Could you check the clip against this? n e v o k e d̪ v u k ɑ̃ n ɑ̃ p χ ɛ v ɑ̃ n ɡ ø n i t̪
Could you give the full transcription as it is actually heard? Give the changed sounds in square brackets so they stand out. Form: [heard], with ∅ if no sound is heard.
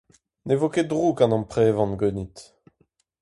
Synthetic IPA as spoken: n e v o k e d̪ [ʁ] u k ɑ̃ n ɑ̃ p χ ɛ v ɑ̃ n ɡ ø n i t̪